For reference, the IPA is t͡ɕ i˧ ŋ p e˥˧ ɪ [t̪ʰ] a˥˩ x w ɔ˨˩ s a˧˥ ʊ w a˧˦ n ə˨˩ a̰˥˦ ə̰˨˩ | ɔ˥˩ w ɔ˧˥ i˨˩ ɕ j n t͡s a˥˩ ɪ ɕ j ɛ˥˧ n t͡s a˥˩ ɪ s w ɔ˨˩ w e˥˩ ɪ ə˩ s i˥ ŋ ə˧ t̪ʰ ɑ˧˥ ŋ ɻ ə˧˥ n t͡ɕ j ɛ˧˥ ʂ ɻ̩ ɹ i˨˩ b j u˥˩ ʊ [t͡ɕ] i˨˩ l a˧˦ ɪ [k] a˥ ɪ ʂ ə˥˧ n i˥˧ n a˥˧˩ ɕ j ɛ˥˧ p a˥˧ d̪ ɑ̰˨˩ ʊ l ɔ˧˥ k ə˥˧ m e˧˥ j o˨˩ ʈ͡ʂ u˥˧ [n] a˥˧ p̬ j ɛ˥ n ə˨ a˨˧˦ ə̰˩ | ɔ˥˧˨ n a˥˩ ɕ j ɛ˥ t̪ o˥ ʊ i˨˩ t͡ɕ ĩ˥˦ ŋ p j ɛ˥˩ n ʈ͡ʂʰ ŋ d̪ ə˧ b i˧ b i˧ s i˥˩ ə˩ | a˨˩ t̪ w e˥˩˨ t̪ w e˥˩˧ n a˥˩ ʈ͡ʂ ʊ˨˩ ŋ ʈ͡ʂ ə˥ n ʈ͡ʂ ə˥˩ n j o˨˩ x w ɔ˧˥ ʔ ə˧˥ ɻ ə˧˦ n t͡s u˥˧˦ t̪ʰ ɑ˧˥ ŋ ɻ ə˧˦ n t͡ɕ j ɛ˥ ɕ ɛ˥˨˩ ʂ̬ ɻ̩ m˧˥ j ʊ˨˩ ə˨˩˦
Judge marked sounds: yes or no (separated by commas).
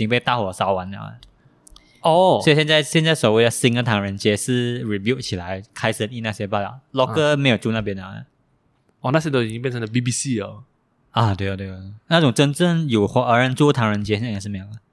no, no, no, yes